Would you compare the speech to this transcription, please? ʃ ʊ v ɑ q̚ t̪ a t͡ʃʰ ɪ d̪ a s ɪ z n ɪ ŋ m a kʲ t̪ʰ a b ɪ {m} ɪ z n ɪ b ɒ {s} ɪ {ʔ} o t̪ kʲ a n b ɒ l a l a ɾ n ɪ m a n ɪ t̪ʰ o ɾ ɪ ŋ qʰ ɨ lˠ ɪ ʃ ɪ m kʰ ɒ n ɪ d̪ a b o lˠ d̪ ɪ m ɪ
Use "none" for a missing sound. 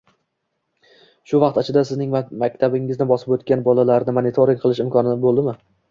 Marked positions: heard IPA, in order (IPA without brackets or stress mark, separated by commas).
ŋ, s, p